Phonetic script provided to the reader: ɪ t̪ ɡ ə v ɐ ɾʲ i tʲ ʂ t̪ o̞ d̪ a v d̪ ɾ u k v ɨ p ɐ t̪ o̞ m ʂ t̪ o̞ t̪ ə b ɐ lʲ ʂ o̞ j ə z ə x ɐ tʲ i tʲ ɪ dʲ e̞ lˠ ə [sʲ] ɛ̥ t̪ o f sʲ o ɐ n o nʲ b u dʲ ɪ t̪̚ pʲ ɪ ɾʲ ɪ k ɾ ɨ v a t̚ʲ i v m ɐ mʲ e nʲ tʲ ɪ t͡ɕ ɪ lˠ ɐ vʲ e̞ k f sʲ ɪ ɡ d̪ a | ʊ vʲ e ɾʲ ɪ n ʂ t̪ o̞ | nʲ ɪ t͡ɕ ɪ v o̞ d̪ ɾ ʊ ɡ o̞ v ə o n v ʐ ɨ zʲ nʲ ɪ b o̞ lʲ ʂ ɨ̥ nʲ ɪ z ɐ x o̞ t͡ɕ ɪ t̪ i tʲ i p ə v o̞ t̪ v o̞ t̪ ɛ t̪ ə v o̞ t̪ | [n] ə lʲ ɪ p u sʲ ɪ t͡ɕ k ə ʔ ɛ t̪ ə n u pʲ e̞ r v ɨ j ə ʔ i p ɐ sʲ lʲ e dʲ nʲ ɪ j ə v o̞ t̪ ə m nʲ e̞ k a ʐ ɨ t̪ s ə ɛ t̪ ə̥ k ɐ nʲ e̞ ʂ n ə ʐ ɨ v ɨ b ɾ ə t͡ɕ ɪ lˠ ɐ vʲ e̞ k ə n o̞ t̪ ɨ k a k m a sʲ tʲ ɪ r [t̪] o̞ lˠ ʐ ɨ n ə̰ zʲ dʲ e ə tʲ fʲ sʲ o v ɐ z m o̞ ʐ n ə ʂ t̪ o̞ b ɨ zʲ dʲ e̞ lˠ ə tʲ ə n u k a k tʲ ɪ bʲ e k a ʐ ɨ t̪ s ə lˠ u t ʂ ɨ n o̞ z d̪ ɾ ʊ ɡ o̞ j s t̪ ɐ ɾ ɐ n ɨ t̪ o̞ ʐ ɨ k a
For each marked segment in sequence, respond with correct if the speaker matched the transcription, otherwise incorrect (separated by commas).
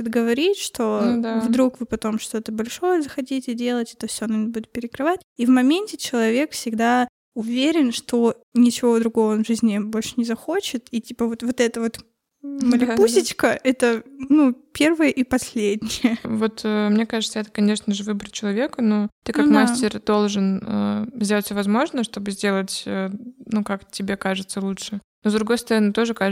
incorrect, incorrect, incorrect